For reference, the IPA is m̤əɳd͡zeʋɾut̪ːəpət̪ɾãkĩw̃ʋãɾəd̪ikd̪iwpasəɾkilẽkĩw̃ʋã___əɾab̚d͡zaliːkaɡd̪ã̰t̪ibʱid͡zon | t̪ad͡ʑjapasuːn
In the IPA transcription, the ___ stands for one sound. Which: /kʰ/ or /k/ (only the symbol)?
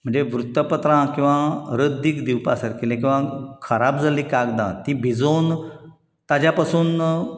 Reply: kʰ